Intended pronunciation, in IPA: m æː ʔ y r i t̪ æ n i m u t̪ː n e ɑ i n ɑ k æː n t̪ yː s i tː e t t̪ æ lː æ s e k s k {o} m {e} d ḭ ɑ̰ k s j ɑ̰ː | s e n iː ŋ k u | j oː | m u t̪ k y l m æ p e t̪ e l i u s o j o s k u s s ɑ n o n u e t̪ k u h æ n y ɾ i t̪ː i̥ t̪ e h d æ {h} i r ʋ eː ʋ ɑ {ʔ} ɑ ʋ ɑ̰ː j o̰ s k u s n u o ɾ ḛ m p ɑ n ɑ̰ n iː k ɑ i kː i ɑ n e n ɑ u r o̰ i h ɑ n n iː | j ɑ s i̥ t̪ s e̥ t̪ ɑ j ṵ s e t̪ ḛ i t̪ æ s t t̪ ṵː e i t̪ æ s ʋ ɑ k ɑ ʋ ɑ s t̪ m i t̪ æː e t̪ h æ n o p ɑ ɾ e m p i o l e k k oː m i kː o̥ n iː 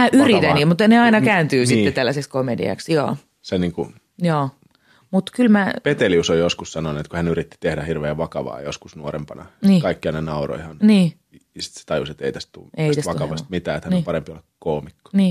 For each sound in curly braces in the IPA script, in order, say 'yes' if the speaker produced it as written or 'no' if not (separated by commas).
yes, yes, yes, no